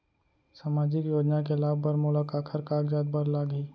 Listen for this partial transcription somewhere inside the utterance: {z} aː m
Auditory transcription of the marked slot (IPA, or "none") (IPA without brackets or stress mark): s